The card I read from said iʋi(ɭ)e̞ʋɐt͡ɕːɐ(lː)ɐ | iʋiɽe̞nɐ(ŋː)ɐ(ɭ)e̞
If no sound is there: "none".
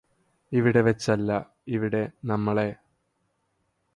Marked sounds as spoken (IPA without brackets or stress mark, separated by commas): ɽ, lː, mː, ɭ